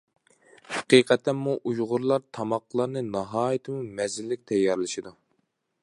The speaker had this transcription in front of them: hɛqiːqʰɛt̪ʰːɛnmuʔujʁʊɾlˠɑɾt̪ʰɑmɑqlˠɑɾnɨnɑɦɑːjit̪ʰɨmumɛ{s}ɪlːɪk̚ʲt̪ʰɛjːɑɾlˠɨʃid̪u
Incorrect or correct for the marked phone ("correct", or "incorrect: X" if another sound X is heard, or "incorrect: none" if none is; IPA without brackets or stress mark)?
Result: incorrect: z